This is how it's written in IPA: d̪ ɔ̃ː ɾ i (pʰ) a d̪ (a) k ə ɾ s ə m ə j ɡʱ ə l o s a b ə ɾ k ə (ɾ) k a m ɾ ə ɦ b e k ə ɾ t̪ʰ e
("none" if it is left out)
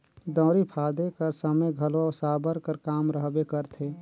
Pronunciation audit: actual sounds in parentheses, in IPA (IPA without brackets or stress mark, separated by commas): pʰ, e, ɾ